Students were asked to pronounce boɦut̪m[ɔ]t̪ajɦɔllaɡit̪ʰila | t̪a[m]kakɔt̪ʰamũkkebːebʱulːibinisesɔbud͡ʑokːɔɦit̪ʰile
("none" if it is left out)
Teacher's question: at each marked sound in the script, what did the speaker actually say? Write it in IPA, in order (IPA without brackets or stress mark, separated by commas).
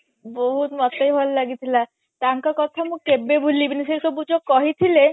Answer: ɔ, ŋ